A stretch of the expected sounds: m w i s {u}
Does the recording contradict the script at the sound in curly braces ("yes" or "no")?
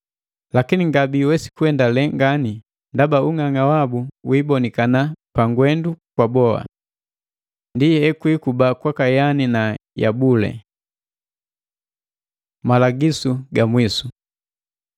no